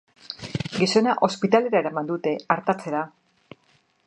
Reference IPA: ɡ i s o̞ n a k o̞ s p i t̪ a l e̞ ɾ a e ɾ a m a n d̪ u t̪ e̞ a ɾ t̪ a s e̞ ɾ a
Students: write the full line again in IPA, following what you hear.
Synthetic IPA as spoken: ɡ i s o̞ n a ʔ o̞ s p i t̪ a l e̞ ɾ a e ɾ a m a n d̪ u t̪ e̞ a ɾ t̪ a t͡s e̞ ɾ a